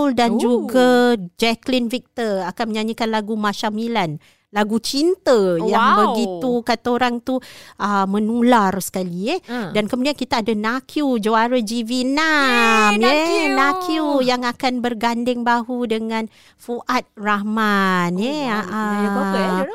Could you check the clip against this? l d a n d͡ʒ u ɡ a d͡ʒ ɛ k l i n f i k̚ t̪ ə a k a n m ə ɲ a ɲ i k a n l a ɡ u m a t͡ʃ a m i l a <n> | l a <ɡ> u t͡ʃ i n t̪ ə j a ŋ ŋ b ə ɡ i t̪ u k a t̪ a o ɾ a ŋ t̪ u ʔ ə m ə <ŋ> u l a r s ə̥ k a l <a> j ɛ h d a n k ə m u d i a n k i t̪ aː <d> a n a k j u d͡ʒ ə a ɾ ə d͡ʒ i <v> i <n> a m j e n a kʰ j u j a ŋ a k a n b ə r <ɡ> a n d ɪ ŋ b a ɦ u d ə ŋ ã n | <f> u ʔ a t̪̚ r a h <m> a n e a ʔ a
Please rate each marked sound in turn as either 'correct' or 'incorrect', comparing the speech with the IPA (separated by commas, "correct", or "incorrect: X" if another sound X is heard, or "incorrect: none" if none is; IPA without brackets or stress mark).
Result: correct, correct, incorrect: n, incorrect: i, correct, correct, correct, correct, correct, correct